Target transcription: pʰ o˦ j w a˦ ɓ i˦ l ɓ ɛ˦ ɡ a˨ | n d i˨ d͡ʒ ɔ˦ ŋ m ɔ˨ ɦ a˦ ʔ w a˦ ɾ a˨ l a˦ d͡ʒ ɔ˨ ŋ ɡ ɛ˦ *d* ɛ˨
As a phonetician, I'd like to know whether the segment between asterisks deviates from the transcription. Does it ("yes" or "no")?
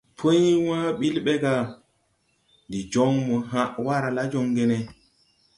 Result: yes